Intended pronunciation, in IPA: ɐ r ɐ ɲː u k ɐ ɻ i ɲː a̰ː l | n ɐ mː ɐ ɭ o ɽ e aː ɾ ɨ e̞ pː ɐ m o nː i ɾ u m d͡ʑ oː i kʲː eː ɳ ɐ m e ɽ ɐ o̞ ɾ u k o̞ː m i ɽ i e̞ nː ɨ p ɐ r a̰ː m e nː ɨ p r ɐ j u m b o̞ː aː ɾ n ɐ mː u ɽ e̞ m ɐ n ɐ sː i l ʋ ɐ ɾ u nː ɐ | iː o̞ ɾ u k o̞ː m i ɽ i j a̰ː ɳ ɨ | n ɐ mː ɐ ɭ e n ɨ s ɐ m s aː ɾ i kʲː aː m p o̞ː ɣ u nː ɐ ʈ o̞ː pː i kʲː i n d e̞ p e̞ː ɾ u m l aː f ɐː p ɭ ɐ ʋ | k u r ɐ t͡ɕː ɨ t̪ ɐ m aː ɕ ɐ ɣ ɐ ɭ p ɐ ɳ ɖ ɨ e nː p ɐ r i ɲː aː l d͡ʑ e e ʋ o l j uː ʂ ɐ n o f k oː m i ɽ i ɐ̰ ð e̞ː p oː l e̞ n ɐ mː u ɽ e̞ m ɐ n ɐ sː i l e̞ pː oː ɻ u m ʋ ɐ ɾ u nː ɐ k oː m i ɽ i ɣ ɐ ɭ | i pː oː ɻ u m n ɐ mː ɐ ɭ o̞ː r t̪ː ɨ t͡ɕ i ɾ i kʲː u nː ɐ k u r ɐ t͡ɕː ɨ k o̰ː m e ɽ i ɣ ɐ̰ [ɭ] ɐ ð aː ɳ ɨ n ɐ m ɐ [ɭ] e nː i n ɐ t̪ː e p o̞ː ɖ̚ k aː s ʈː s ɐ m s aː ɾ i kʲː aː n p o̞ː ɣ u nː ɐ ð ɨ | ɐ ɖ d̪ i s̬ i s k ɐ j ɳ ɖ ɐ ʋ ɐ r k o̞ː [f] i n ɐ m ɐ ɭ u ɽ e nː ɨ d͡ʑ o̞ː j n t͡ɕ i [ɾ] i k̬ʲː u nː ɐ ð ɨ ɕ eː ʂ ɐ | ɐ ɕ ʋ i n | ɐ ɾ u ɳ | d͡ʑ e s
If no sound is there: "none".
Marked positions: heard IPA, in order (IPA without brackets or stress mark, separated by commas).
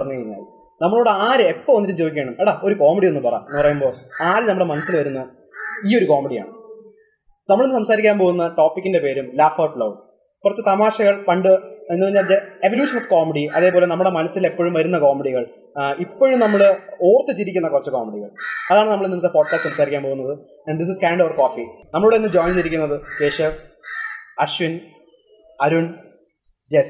ɭ, ɭ, f, ɾ